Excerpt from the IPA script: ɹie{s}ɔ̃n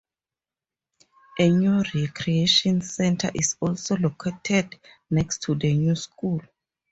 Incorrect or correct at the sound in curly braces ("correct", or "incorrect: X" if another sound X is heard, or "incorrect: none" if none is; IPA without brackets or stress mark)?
incorrect: ʃ